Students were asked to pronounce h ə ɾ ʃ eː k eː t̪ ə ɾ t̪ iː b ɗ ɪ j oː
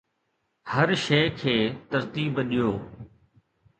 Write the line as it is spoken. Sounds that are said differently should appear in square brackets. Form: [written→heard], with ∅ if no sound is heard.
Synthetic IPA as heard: h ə ɾ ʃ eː [k→kʰ] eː t̪ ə ɾ t̪ iː b ɗ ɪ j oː